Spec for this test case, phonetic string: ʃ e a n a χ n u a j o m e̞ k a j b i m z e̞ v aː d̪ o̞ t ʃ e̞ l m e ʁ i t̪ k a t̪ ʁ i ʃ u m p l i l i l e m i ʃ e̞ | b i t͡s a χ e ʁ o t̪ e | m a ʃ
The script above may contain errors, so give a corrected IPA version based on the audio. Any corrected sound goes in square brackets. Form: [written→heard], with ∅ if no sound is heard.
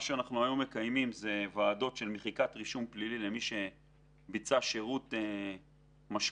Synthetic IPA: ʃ e a n a χ n u a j o m e̞ k a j [b→m] i m z e̞ v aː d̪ o̞ t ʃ e̞ l m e [ʁ→χ] i [t̪→∅] k a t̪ ʁ i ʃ u m p l i l i l e m i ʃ e̞ | b i t͡s a [χ→ʃ] e ʁ [o→u] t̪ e | m a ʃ

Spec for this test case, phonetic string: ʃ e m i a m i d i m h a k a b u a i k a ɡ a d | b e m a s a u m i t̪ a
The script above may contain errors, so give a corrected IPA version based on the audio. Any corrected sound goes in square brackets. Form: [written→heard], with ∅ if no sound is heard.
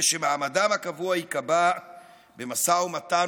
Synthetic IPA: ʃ e m [i→a] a m [i→a] d [i→a] m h a k a [b→v] u a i k a [ɡ→b] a [d→∅] | b e m a s a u m [i→a] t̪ a

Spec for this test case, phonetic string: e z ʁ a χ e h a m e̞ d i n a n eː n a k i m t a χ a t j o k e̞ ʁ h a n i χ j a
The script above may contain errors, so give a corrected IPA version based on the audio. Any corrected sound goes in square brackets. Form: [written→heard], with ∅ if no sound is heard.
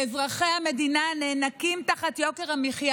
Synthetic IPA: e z ʁ a χ e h a m e̞ d i n a n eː n a k i m t a χ a t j o k e̞ ʁ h a [n→m] i χ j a

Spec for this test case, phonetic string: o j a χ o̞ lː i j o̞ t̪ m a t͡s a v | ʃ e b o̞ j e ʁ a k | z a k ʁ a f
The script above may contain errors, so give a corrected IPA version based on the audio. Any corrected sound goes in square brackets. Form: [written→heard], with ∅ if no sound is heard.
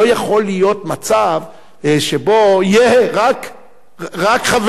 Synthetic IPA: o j a χ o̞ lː i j o̞ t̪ m a t͡s a v | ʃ e b o̞ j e ʁ a k | [z→ʁ] a k [ʁ→χ] a [f→v]

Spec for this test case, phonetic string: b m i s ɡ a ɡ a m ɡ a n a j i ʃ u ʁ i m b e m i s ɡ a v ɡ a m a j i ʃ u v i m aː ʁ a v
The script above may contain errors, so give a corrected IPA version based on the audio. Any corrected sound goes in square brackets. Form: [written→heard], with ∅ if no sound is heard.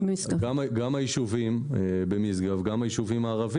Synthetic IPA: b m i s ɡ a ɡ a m ɡ a [n→m] a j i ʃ u [ʁ→v] i m b e m i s ɡ a v ɡ a m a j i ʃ u v i m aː ʁ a v

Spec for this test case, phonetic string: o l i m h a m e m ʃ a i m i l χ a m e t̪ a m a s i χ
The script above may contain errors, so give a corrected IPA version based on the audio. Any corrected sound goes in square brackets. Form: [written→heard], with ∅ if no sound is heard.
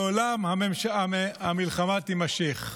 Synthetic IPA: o l [i→a] m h a m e m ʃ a [i→a] m i l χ a m [e→a] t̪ [a→i] m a [s→ʃ] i χ

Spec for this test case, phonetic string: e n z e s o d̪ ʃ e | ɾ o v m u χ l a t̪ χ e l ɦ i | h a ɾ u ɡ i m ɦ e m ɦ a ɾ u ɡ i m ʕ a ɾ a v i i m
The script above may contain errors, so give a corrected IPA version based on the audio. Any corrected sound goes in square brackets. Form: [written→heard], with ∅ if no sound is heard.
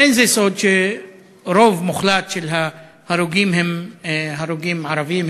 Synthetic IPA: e n z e s o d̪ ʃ e | ɾ o v m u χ l a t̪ [χ→ʃ] e l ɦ [i→a] | h a ɾ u ɡ i m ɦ e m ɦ a ɾ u ɡ i m ʕ a ɾ a v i i m

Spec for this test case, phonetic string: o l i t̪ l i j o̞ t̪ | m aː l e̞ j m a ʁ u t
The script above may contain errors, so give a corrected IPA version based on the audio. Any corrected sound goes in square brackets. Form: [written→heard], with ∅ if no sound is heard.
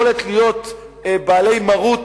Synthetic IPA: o l [i→e] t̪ l i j o̞ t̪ | [m→b] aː l e̞ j m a ʁ u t

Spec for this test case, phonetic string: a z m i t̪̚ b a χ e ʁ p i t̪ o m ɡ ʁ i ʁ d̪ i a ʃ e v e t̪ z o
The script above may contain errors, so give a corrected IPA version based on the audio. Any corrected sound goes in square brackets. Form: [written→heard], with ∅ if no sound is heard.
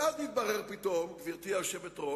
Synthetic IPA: a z [m→n] i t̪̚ b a [χ→ʁ] e ʁ p i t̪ o m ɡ [ʁ→v] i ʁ [d̪→t̪] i a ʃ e v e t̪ [z→ʁ] o

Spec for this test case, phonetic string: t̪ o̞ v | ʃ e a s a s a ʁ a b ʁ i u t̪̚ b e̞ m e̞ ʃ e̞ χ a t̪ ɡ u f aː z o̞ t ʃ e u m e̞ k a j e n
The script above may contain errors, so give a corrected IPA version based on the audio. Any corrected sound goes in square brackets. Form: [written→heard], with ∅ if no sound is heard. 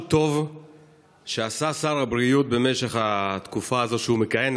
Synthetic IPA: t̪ o̞ v | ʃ e a s a s a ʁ a b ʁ i u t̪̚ b e̞ m e̞ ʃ e̞ χ a t̪ [ɡ→k] u f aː z o̞ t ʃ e u m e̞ k a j e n

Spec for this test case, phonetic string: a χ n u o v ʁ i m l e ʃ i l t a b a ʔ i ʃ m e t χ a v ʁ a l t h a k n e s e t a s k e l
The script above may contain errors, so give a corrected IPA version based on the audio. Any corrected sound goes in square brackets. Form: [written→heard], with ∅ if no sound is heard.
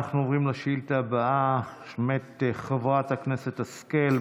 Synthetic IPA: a χ n u o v ʁ i m l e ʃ i l t a b a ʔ [i→a] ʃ m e t χ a v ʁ a [l→∅] t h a k n e s e t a s k e l

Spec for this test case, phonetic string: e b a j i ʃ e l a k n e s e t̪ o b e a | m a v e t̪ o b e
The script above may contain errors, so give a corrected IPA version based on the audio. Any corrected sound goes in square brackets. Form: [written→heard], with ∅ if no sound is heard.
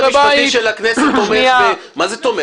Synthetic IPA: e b a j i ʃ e l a k n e s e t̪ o [b→m] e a | m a [v→z] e t̪ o [b→m] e

